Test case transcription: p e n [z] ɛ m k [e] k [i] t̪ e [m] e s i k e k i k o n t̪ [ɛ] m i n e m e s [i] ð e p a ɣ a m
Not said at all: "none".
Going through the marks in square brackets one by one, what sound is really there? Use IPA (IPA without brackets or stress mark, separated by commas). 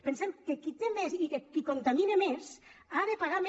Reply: s, e, i, m, a, a